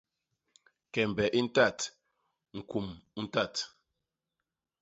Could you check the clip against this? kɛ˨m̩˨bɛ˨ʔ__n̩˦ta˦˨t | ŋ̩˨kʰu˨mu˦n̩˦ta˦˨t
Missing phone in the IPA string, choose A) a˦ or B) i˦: B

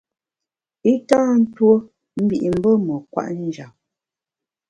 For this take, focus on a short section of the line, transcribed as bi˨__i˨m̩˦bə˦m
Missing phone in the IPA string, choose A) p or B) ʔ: B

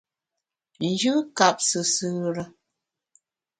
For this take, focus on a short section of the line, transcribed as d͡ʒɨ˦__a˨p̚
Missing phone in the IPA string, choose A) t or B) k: B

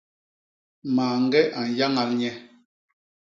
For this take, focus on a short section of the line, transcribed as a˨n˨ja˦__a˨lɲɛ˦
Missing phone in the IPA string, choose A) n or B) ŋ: B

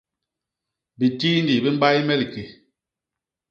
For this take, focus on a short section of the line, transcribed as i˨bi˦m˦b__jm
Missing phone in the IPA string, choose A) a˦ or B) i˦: A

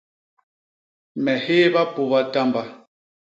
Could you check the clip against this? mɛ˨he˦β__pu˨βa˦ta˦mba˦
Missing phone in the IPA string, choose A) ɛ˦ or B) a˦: B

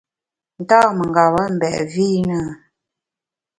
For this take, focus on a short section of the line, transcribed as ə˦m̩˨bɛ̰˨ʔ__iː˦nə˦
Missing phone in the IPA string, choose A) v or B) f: A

